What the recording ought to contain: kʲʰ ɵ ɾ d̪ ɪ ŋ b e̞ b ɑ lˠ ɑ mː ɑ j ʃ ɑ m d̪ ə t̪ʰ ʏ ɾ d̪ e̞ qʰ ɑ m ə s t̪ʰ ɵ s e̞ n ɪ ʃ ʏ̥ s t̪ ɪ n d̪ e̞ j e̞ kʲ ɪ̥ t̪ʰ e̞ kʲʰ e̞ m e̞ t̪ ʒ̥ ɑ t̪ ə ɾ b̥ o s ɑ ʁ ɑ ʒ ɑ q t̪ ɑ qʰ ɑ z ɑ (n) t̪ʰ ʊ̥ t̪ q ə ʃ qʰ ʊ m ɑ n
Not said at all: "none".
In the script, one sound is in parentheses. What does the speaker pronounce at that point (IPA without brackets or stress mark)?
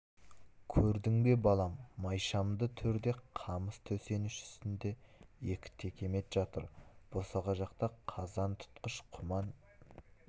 n